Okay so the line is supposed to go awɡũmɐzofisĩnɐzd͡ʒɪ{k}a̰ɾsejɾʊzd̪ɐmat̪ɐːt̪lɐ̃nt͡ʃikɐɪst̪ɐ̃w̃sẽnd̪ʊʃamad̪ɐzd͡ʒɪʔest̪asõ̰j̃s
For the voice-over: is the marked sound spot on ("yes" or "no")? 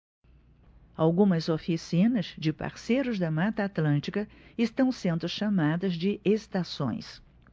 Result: no